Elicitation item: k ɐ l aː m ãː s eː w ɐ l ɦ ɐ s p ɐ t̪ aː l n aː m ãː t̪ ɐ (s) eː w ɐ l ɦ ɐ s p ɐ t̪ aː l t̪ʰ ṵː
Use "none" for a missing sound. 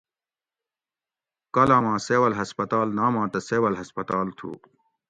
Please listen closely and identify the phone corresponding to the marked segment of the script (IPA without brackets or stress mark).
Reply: s